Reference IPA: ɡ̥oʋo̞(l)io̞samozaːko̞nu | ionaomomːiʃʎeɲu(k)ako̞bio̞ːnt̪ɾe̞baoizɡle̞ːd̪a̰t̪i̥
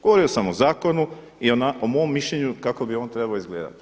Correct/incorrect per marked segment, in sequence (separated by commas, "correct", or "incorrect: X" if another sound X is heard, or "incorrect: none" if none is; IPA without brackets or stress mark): incorrect: ɾ, correct